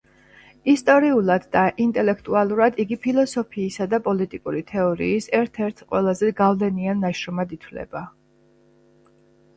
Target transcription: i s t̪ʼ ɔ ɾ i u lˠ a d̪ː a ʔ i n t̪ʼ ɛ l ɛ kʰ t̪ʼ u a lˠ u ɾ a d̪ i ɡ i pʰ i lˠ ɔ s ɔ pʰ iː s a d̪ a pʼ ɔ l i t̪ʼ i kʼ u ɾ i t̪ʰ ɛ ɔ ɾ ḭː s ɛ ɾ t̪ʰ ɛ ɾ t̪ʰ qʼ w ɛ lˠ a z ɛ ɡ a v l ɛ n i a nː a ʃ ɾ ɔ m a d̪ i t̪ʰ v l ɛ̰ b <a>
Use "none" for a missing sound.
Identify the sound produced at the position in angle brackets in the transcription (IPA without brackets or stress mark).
a